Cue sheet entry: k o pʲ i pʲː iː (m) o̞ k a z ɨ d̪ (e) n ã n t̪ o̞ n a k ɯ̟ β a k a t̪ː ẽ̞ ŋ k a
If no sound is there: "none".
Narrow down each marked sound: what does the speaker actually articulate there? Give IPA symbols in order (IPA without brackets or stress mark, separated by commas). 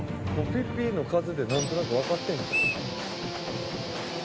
n, e